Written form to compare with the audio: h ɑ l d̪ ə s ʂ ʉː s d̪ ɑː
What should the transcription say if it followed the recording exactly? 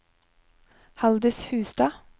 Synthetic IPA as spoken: h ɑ l d̪ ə s h ʉː s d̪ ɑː